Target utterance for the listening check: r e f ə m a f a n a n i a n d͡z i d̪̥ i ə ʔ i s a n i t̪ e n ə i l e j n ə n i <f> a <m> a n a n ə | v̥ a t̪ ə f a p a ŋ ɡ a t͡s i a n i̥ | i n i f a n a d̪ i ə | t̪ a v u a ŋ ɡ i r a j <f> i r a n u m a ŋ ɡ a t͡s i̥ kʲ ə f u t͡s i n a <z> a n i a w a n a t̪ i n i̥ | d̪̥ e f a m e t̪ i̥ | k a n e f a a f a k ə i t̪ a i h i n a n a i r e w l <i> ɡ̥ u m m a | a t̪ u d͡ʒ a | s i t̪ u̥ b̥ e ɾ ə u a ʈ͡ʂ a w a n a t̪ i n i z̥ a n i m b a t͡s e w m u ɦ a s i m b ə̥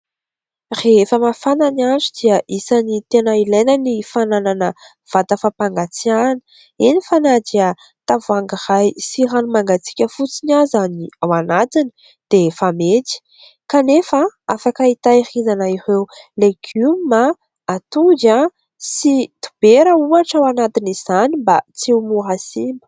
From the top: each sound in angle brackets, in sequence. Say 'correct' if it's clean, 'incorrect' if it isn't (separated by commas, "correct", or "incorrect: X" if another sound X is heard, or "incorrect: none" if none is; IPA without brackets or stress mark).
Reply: correct, incorrect: n, incorrect: s, correct, incorrect: e